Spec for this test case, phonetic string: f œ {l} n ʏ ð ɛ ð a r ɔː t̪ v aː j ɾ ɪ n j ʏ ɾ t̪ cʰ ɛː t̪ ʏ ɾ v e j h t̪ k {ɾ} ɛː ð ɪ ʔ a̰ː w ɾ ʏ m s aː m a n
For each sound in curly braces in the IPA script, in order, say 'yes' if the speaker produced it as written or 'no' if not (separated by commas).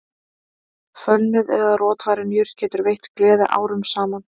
yes, no